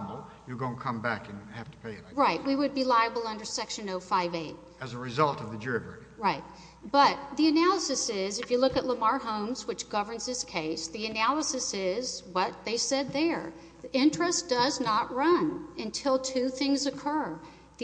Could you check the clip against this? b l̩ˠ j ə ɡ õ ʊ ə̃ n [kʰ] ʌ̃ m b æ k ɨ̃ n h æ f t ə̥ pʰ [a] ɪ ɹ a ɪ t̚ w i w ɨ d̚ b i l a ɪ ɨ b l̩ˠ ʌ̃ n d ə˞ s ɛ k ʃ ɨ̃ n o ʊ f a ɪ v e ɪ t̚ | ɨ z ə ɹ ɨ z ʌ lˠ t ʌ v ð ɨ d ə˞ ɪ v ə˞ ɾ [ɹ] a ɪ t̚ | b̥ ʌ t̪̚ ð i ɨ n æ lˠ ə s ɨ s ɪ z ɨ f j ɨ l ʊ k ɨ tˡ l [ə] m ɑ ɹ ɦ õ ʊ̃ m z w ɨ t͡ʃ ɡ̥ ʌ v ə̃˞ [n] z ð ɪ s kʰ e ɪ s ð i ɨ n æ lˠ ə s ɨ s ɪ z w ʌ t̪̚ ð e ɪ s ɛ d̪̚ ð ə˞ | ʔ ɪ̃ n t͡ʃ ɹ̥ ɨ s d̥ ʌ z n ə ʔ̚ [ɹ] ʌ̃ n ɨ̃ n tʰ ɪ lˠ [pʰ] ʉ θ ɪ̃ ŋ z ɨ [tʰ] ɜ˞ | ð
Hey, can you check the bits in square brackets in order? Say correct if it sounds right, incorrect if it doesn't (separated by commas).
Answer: correct, incorrect, correct, correct, correct, correct, incorrect, incorrect